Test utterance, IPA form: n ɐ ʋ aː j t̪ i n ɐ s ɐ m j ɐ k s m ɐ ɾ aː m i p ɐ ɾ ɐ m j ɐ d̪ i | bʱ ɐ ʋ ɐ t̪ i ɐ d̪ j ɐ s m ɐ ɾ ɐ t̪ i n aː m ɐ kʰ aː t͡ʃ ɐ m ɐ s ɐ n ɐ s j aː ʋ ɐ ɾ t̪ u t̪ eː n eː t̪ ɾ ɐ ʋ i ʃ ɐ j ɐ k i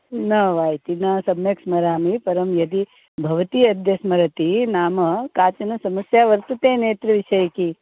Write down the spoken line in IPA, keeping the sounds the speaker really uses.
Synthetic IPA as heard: n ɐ ʋ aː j t̪ i n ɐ s ɐ m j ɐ k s m ɐ ɾ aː m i p ɐ ɾ ɐ m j ɐ d̪ i | bʱ ɐ ʋ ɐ t̪ i ɐ d̪ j ɐ s m ɐ ɾ ɐ t̪ i n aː m ɐ k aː t͡ʃ ɐ n ɐ s ɐ m ɐ s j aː ʋ ɐ ɾ t̪ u t̪ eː n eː t̪ ɾ ɐ ʋ i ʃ ɐ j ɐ k i